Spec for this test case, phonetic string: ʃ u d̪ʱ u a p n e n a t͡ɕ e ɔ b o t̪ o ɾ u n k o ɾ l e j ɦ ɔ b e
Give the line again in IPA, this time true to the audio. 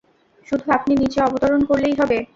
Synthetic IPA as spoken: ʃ u d̪ʱ u a p n i n i t͡ɕ e ɔ b o t̪ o ɾ o n k o ɾ l e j ɦ ɔ b e